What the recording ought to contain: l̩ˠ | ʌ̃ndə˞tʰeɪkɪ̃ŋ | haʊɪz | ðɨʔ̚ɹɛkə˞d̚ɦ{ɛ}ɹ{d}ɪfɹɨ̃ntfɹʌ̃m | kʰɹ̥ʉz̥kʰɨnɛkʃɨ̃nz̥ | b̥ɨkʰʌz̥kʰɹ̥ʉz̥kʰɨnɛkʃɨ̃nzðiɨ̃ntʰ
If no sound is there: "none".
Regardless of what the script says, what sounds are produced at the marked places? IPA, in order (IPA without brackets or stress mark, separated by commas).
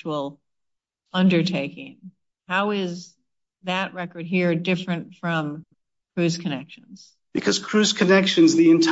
i, d